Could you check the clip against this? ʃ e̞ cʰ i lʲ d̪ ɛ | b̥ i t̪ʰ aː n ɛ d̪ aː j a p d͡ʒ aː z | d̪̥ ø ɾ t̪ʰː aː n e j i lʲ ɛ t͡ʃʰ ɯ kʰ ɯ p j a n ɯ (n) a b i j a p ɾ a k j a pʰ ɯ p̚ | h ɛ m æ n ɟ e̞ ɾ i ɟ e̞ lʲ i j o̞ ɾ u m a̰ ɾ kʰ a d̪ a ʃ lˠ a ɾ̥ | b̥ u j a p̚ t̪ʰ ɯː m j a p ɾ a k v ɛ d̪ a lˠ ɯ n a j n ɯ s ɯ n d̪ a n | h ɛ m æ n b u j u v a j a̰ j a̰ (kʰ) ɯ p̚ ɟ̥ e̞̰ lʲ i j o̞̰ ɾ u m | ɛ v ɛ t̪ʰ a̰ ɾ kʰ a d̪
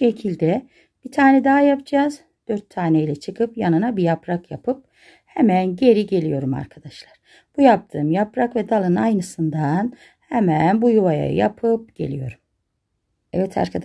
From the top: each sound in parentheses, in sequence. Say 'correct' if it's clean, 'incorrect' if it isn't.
correct, incorrect

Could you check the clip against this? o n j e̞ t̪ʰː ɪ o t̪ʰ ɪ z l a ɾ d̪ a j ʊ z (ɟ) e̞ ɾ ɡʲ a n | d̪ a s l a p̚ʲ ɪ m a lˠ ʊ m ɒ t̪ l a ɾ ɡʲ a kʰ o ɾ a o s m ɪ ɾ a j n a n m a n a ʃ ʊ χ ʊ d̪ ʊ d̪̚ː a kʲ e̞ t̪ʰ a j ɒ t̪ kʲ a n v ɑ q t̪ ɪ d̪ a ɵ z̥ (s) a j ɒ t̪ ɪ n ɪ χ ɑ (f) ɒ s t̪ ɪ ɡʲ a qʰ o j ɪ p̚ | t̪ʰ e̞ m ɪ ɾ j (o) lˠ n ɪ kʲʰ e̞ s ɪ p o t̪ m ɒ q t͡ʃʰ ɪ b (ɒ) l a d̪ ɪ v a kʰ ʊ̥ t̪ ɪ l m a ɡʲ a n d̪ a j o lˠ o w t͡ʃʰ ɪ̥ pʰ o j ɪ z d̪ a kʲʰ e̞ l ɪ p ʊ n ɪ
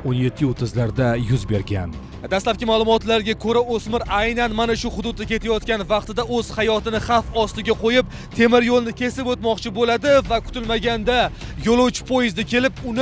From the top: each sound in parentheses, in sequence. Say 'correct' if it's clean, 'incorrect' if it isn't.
incorrect, incorrect, correct, correct, incorrect

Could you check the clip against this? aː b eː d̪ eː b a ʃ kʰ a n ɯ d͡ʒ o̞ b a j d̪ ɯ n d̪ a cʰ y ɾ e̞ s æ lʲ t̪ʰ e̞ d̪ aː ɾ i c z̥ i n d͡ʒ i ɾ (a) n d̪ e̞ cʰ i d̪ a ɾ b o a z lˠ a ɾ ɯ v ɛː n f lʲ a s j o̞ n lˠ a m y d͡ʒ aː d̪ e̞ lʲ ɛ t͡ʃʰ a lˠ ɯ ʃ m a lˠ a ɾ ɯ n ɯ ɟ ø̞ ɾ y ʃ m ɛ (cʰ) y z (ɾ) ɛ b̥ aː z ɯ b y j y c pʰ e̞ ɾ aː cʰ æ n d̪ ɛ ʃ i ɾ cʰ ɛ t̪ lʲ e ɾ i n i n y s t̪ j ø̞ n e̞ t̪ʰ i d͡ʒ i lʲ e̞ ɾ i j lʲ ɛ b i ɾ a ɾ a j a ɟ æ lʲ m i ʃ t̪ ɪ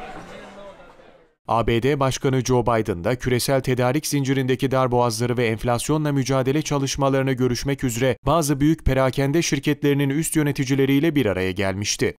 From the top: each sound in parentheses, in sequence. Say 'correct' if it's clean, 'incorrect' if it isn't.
incorrect, incorrect, correct

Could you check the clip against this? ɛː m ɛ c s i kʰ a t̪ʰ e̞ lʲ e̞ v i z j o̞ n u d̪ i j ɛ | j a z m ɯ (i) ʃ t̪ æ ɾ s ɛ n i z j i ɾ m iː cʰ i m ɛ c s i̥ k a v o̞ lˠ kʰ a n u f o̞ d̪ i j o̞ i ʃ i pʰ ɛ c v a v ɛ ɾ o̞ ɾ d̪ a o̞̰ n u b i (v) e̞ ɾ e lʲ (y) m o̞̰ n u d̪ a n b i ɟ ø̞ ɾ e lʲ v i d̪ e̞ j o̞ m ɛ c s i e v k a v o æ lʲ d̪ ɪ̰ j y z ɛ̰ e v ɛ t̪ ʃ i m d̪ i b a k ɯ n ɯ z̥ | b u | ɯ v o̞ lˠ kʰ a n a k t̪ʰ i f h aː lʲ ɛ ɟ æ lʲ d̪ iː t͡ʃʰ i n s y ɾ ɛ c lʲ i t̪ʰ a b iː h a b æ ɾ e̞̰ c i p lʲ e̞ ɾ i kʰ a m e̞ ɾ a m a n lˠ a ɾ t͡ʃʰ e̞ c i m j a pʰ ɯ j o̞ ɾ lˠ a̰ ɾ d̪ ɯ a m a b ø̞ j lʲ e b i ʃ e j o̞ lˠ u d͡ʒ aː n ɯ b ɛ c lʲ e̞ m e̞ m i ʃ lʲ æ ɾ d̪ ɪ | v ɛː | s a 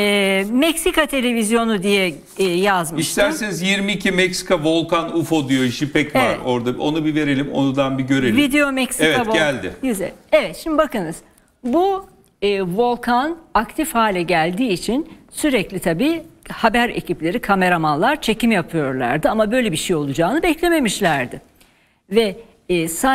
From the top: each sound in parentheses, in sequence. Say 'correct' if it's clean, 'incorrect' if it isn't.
correct, correct, incorrect

